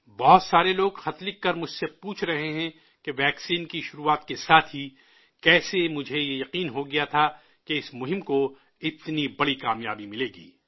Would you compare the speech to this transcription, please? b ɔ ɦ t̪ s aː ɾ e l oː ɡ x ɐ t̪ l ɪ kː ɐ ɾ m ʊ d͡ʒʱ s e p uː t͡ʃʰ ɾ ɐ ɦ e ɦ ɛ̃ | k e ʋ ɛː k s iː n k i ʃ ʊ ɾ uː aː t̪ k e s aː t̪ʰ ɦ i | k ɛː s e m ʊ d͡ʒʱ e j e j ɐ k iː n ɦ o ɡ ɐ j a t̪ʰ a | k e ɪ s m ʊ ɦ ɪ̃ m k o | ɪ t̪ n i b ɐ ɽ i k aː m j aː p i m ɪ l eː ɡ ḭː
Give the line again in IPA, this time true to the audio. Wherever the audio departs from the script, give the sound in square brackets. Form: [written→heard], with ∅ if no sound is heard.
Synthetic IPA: b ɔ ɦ t̪ s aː ɾ e l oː ɡ x ɐ t̪ l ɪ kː ɐ ɾ m ʊ d͡ʒʱ s e p uː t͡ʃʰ ɾ ɐ ɦ e ɦ ɛ̃ | k e ʋ ɛː k s iː n k i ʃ ʊ ɾ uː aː t̪ k e s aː t̪ʰ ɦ i | k ɛː s e m ʊ d͡ʒʱ e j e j ɐ [k→q] iː n ɦ o ɡ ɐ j a t̪ʰ a | k e ɪ s m ʊ ɦ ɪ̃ m k o | ɪ t̪ n i b ɐ ɽ i k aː m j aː [p→b] i m ɪ l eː ɡ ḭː